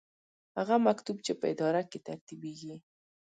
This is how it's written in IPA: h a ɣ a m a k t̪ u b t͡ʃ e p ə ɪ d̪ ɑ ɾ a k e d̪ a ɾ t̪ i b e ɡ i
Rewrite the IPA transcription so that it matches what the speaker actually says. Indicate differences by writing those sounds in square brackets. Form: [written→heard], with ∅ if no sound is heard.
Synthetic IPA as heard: h a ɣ a m a k t̪ u b t͡ʃ e p ə ɪ d̪ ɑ ɾ a k e [d̪→t̪] a ɾ t̪ i b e ɡ i